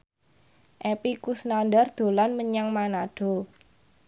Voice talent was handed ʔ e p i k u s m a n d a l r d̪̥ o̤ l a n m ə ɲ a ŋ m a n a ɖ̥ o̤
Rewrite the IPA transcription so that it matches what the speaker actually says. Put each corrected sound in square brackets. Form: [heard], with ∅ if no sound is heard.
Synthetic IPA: ʔ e p i k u s [n] a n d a [∅] r d̪̥ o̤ l a n m ə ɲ a ŋ m a n a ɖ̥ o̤